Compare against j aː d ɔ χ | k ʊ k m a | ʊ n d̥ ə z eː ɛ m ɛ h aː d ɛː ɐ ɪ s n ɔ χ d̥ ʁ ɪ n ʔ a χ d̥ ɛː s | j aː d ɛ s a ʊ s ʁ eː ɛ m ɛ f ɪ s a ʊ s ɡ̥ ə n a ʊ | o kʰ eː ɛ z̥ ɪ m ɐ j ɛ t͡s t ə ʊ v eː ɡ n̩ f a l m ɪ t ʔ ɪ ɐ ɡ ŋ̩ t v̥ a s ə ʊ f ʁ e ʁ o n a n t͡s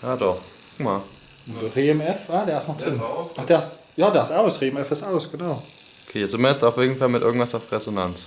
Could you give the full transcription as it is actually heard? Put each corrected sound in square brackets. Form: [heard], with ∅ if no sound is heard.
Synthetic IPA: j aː d ɔ χ | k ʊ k m a | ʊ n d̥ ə [ʁ] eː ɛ m ɛ [f] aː d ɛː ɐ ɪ s n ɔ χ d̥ ʁ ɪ n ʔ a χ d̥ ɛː s | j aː d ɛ s a ʊ s ʁ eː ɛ m ɛ f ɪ s a ʊ s ɡ̥ ə n a ʊ | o kʰ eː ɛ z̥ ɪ m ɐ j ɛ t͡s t [a] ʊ [f] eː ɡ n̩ f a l m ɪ t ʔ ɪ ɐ ɡ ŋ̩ t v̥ a s [a] ʊ f ʁ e [z] o n a n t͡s